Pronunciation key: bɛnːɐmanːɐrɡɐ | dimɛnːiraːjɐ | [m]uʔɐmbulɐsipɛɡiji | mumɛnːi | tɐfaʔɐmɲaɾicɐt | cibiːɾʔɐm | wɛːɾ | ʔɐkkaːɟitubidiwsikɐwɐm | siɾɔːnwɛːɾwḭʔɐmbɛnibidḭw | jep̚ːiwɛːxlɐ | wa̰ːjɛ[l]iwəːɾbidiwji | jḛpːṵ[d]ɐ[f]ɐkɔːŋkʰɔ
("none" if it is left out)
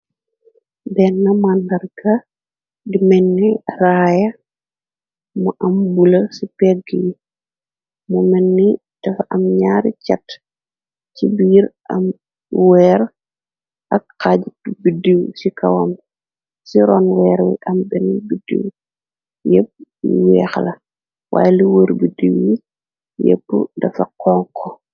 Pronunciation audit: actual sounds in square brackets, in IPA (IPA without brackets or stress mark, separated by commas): m, l, d, f